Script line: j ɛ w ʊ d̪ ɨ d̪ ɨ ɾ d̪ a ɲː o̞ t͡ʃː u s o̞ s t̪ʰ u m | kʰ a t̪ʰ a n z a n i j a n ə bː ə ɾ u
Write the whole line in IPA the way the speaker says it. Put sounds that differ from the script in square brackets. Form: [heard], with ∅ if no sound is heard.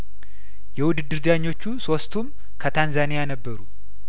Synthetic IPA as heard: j ɛ w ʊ d̪ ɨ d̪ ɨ ɾ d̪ a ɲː o̞ t͡ʃː u s o̞ s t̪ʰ u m | kʰ [ə] t̪ʰ a n z a n i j a n ə bː ə ɾ u